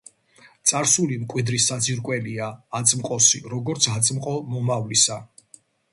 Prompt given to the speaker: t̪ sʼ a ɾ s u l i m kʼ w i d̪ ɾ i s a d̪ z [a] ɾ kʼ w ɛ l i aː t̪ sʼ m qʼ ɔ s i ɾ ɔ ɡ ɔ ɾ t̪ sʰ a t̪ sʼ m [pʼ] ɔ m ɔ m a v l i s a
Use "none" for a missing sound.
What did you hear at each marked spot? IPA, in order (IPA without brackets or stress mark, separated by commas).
i, qʼ